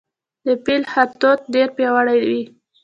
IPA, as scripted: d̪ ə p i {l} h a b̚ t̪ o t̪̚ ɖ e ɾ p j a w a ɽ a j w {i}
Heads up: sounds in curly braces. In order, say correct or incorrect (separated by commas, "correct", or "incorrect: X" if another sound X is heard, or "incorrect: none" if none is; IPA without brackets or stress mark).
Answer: correct, correct